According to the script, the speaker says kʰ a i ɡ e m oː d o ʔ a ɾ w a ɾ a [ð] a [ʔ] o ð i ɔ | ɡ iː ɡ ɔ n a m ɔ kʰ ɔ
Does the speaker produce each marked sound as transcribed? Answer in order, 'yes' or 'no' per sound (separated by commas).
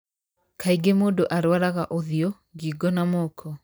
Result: no, yes